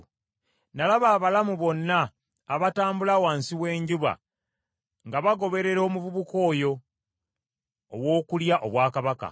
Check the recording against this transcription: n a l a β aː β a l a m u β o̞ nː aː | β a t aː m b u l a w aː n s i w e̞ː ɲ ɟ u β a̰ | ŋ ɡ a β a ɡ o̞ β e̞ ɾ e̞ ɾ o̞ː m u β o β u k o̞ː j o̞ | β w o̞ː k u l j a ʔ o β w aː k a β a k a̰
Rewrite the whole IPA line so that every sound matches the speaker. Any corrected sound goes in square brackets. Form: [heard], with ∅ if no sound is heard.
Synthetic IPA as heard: n a l a β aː β a l a m u β o̞ nː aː | β a t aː m b u l a w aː n s i w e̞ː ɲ ɟ u β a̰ | ŋ ɡ a β a ɡ o̞ β e̞ ɾ e̞ ɾ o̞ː m u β [u] β u k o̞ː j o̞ | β w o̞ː k u l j a ʔ o β w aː k a β a k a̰